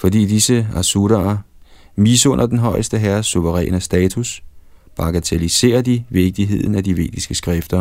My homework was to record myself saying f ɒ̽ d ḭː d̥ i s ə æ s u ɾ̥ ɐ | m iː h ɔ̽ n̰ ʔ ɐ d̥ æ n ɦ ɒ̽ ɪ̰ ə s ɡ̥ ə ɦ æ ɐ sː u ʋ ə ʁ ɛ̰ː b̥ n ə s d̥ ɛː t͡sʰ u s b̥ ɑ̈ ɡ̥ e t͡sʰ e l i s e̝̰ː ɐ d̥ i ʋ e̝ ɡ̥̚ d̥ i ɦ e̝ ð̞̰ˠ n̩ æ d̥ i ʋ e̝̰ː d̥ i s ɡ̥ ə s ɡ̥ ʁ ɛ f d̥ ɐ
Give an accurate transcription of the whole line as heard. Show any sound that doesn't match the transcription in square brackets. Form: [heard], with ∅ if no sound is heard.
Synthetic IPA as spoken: f ɒ̽ d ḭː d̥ i s ə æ s u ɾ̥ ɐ | m iː [s] ɔ̽ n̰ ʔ ɐ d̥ [e] n ɦ ɒ̽ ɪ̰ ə s [d̥] ə ɦ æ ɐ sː u ʋ ə ʁ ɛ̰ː [∅] n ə s d̥ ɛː t͡sʰ u s b̥ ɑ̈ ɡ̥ [æ] t͡sʰ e l i s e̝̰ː ɐ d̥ i ʋ e̝ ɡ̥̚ d̥ i ɦ e̝ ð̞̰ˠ n̩ æ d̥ i ʋ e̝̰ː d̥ i s ɡ̥ ə s ɡ̥ ʁ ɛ f d̥ ɐ